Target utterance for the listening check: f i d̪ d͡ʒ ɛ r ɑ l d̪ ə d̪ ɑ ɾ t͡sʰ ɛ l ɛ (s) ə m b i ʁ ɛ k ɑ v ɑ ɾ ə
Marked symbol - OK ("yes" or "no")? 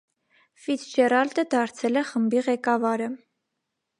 no